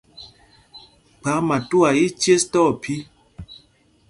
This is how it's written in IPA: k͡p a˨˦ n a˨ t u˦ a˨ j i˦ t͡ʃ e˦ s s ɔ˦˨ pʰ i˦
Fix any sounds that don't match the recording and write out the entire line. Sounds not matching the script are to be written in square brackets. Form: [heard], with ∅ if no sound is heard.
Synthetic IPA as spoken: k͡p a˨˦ [m] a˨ t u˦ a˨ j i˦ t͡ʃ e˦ s [t] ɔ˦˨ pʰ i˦